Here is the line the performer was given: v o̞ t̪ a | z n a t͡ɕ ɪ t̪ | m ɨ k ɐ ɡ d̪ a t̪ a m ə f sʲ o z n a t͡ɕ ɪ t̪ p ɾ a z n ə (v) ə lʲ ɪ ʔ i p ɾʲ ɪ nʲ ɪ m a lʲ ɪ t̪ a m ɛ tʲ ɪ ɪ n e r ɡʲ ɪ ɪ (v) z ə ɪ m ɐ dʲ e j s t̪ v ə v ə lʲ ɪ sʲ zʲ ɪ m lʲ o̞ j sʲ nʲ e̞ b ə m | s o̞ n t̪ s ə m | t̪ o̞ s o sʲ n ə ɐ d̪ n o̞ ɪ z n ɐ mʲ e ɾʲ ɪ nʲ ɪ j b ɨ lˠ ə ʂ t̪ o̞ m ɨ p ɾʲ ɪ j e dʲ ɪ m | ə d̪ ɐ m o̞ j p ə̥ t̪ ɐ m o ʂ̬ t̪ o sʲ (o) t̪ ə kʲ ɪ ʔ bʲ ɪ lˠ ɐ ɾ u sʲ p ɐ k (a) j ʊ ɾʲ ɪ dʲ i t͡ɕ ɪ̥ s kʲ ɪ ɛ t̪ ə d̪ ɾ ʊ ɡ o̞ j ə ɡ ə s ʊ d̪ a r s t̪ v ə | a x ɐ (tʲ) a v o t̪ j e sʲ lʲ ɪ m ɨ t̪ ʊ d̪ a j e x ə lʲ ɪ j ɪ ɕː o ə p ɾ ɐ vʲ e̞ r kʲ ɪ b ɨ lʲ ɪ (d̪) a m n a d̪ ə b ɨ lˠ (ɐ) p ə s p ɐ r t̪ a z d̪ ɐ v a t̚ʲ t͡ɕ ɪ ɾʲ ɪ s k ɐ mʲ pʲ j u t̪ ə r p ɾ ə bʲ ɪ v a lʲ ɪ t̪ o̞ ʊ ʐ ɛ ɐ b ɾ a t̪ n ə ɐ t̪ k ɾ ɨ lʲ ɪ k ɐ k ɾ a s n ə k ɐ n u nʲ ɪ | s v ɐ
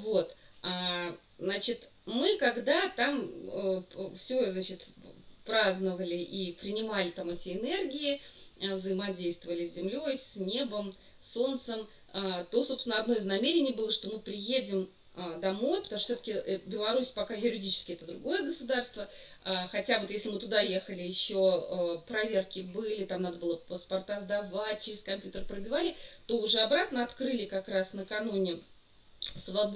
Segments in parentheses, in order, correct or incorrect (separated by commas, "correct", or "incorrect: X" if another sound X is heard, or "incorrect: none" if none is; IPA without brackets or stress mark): correct, correct, correct, correct, correct, incorrect: t̪, incorrect: ə